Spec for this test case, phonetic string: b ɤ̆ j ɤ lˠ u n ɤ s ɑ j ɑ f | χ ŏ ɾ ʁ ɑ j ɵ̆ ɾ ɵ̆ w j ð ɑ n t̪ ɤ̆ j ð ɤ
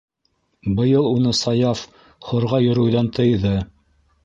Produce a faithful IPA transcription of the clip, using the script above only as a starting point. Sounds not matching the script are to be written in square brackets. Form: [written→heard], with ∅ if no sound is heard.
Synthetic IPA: b ɤ̆ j ɤ lˠ u n ɤ s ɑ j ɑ f | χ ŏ ɾ ʁ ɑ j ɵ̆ ɾ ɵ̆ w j ð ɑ n t̪ ɤ̆ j ð ɤ

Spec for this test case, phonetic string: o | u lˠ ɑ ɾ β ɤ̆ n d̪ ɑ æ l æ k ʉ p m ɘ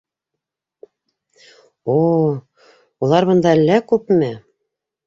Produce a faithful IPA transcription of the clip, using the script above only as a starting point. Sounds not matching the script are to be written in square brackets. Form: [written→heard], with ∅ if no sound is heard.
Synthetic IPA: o | u lˠ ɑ ɾ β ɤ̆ n d̪ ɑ æ [l→lː] æ k ʉ p m ɘ

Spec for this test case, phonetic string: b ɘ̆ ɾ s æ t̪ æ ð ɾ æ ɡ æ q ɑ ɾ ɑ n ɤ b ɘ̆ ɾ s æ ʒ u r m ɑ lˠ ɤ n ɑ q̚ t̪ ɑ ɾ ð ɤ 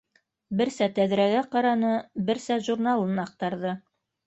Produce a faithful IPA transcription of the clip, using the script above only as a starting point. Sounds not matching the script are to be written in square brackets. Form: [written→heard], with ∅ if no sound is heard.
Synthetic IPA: b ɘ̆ ɾ s æ t̪ æ ð ɾ æ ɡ æ q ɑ ɾ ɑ n ɤ b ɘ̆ ɾ s æ ʒ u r [m→n] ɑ lˠ ɤ n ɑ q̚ t̪ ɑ ɾ ð ɤ

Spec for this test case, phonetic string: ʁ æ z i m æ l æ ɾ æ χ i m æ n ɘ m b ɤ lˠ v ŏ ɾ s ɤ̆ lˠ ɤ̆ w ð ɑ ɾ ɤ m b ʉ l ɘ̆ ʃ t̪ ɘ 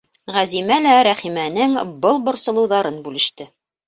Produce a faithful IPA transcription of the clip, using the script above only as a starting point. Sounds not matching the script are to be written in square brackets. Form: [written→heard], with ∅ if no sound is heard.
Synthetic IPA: ʁ æ z i m æ l æ ɾ æ χ i m æ n ɘ [m→ŋ] b ɤ lˠ [v→b] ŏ ɾ s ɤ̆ lˠ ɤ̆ w ð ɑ ɾ ɤ [m→n] b ʉ l ɘ̆ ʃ t̪ ɘ

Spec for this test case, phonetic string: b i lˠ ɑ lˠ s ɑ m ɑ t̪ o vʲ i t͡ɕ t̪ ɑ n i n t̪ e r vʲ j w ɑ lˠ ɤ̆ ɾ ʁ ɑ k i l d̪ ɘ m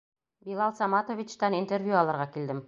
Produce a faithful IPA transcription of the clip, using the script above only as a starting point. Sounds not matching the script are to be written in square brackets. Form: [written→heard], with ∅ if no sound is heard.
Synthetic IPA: b i lˠ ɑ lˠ s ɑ m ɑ t̪ o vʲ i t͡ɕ t̪ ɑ n i n t̪ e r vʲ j [w→u] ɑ lˠ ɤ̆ ɾ ʁ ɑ k i l d̪ ɘ m

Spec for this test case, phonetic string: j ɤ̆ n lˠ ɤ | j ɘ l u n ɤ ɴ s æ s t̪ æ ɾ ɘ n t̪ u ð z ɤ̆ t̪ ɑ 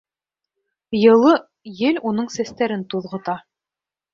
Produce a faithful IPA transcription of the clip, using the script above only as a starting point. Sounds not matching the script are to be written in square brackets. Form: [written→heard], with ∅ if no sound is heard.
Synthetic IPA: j ɤ̆ [n→∅] lˠ ɤ | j ɘ l u n ɤ ɴ s æ s t̪ æ ɾ ɘ n t̪ u ð [z→ʁ] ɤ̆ t̪ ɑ

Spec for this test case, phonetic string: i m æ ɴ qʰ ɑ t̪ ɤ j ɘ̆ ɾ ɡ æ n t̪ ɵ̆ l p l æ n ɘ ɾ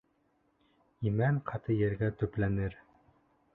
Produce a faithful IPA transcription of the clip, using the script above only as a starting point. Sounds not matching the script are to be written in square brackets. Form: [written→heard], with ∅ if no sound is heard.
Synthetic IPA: i m æ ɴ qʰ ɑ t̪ ɤ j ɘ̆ ɾ ɡ æ [n→∅] t̪ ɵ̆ [l→∅] p l æ n ɘ ɾ

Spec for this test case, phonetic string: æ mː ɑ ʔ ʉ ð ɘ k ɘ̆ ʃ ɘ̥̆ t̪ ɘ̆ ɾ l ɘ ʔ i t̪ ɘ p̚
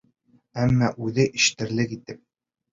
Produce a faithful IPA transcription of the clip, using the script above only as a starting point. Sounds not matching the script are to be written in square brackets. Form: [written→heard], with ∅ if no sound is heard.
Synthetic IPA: æ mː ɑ ʔ ʉ ð ɘ [k→ʔ] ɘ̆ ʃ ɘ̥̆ t̪ ɘ̆ ɾ l ɘ [ʔ→k] i t̪ ɘ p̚

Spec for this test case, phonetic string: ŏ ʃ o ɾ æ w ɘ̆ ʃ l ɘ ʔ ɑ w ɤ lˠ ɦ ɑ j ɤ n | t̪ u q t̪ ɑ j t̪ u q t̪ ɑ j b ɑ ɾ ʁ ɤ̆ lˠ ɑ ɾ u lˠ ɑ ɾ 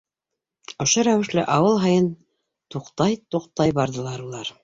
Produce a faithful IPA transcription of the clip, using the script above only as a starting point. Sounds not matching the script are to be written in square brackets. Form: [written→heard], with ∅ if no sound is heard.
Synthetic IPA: ŏ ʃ o ɾ æ w ɘ̆ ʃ l ɘ ʔ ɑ w ɤ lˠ ɦ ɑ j ɤ n | t̪ u q t̪ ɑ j t̪ u q t̪ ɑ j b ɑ ɾ [ʁ→ð] ɤ̆ lˠ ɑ ɾ u lˠ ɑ ɾ

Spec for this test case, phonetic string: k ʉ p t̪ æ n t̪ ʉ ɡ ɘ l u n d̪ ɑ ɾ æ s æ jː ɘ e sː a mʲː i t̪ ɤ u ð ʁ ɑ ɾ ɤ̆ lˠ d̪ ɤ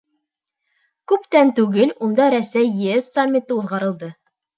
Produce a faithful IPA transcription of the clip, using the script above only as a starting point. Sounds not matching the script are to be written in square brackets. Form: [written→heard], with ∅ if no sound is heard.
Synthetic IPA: k ʉ p t̪ æ n t̪ ʉ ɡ ɘ l u n d̪ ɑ ɾ æ s æ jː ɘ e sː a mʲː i t̪ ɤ u ð ʁ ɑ ɾ ɤ̆ lˠ d̪ ɤ

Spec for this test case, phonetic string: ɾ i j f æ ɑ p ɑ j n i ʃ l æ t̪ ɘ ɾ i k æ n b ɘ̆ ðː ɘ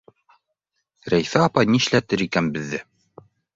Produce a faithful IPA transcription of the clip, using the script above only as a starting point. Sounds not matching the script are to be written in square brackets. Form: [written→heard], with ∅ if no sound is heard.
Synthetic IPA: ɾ [i→æ] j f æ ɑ p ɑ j n i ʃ l æ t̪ ɘ ɾ i k æ n b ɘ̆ ðː ɘ

